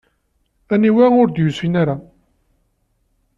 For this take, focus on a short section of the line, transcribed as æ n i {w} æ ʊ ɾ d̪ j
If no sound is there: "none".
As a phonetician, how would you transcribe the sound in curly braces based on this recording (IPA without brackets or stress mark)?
w